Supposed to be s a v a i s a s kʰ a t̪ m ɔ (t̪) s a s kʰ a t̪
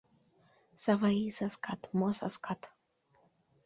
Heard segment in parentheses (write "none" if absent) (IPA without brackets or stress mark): none